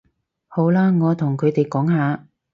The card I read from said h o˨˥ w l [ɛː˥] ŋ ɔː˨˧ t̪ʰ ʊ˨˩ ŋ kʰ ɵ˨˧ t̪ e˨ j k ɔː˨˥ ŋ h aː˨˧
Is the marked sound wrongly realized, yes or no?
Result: yes